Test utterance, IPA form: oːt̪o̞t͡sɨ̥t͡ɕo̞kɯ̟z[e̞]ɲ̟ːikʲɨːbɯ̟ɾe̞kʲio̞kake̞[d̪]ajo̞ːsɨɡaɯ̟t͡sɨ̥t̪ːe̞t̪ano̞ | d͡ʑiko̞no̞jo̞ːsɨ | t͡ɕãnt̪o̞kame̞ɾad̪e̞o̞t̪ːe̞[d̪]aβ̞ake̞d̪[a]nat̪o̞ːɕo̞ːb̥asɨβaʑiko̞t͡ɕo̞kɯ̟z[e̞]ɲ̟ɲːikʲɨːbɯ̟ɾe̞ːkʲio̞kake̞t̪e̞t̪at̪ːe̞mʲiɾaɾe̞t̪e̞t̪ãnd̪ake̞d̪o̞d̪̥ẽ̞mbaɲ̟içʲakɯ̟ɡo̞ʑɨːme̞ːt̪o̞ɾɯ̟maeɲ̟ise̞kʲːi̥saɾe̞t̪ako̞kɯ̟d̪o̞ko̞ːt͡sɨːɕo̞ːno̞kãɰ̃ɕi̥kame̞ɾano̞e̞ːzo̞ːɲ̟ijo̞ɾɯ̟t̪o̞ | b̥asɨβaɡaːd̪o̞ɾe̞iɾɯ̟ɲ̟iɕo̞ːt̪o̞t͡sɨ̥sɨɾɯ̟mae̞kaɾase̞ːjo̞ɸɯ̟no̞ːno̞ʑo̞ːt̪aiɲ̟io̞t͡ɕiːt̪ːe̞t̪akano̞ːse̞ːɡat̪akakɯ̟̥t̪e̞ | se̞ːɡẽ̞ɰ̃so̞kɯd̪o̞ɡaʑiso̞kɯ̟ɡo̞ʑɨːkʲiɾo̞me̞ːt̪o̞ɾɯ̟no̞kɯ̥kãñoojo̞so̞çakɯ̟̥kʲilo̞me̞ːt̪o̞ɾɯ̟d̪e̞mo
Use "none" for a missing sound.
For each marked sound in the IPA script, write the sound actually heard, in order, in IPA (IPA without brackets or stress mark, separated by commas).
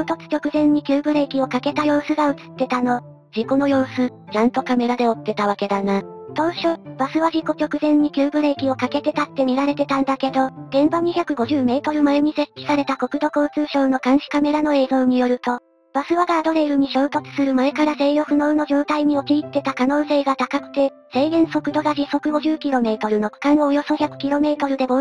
ẽ̞, t̪, t̪, a, ẽ̞